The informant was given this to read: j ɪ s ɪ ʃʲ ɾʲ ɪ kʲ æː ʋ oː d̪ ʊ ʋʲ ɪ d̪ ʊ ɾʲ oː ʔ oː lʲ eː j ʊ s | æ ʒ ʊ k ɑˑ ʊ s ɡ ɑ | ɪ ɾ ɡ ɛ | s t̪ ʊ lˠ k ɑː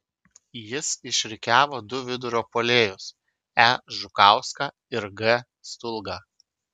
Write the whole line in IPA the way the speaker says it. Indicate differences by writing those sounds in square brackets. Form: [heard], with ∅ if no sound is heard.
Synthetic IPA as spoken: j ɪ s ɪ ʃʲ ɾʲ ɪ kʲ æː ʋ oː d̪ ʊ ʋʲ ɪ d̪ ʊ ɾʲ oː [p] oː lʲ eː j ʊ s | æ ʒ ʊ k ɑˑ ʊ s [k] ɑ | ɪ ɾ ɡ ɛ | s t̪ ʊ lˠ [ɡ] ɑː